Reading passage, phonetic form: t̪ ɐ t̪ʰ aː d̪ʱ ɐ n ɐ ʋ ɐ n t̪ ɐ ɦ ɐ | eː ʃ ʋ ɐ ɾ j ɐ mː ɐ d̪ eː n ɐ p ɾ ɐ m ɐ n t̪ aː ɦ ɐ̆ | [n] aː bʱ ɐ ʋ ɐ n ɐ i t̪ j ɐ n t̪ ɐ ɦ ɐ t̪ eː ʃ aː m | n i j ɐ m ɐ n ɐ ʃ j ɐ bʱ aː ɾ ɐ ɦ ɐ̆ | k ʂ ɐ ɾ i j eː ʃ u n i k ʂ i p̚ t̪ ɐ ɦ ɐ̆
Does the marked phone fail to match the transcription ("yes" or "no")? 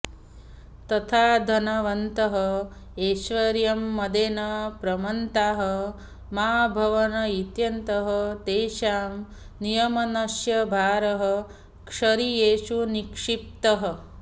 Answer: yes